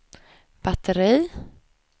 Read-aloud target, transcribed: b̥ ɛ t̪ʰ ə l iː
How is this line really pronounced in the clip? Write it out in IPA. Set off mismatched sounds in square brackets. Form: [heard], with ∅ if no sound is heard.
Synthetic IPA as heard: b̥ [a] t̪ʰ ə [ɾ] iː